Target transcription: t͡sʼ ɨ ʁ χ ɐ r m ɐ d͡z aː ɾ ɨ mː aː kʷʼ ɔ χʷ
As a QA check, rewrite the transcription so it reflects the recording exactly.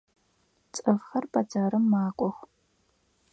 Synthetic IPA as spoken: t͡sʼ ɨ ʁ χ ɐ r b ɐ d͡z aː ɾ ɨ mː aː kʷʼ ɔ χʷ